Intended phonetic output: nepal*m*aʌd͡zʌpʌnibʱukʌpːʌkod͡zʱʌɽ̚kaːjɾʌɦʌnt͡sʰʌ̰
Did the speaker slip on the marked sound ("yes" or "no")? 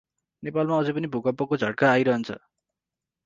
no